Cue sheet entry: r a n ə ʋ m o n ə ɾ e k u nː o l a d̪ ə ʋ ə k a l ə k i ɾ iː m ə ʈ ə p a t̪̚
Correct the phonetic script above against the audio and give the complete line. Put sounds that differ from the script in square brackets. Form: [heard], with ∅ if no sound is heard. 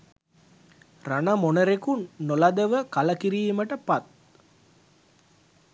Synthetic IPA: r a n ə [∅] m o n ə ɾ e k u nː o l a d̪ ə ʋ ə k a l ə k i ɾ iː m ə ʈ ə p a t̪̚